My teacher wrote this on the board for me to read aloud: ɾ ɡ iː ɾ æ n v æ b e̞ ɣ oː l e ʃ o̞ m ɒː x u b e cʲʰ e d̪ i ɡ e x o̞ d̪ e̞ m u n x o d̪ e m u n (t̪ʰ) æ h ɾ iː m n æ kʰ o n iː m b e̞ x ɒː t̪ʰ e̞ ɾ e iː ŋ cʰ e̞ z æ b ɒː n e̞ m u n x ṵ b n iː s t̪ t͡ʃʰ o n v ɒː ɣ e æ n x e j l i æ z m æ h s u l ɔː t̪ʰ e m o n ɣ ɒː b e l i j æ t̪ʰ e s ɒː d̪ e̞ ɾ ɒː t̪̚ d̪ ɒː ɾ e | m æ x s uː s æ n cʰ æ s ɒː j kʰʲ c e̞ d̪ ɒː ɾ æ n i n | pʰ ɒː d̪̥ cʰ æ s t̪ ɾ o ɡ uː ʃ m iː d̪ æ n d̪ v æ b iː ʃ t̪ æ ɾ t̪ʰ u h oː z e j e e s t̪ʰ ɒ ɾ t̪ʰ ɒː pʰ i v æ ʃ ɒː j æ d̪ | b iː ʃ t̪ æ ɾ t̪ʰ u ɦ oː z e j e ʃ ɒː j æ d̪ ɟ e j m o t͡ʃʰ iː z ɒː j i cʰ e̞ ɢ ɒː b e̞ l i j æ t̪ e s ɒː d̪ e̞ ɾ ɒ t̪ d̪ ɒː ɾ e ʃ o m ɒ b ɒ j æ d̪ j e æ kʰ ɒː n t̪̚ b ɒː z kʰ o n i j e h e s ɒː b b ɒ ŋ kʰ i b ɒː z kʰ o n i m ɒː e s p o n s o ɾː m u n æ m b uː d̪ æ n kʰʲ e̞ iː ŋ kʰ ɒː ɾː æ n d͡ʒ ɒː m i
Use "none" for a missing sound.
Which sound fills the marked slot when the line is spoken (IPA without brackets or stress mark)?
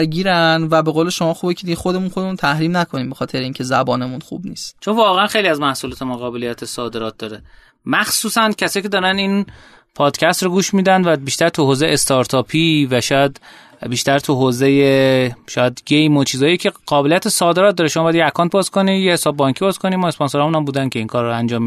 t̪ʰ